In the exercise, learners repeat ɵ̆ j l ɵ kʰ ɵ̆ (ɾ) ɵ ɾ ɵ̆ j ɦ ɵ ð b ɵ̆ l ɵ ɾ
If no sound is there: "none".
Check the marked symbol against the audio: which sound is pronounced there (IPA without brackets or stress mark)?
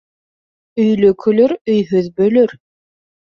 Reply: l